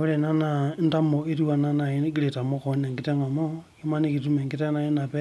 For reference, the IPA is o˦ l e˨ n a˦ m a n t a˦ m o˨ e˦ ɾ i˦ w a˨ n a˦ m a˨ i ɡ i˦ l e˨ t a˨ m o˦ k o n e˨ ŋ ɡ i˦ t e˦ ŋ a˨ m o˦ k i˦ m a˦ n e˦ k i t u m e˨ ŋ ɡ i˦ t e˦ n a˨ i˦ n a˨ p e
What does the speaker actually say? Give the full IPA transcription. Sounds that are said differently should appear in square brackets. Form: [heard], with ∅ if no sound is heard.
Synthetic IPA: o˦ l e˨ n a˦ [n] a n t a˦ m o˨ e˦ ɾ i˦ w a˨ n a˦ [n] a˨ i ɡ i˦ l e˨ t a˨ m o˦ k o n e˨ ŋ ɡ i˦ t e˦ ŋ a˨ m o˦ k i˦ m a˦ n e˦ k i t u m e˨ ŋ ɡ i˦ t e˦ n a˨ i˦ n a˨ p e